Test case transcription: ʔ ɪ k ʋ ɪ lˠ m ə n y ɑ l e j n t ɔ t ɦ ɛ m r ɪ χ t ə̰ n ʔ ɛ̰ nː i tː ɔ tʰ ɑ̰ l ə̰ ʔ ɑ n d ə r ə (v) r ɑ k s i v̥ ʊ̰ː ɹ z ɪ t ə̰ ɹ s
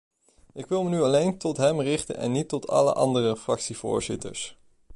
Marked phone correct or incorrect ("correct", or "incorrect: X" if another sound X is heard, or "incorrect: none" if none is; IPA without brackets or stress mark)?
incorrect: f